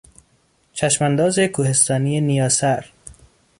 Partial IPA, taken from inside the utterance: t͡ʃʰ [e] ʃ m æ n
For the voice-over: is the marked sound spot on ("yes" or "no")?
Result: no